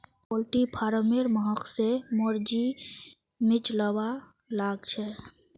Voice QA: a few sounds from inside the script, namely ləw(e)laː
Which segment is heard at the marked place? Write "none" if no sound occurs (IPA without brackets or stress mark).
a